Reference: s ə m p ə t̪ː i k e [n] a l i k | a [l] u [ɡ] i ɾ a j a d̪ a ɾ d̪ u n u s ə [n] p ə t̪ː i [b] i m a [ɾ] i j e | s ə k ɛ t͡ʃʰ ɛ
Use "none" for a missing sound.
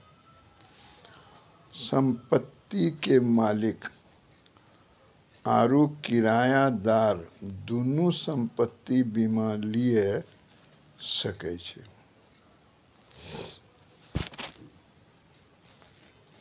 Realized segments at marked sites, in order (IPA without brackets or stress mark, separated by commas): m, ɾ, k, m, b, l